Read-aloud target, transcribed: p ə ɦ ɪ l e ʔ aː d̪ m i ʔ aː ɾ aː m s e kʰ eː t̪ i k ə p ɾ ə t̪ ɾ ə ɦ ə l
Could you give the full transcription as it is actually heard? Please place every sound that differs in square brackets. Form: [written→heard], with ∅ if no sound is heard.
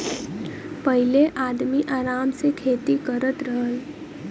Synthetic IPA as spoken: p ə ɦ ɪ l e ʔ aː d̪ m i ʔ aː ɾ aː m s e kʰ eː t̪ i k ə [p→∅] ɾ ə t̪ ɾ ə ɦ ə l